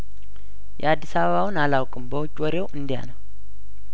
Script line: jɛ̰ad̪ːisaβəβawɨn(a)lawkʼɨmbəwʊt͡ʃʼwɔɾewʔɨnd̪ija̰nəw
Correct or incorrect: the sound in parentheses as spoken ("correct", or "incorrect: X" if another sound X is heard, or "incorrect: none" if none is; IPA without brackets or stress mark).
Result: correct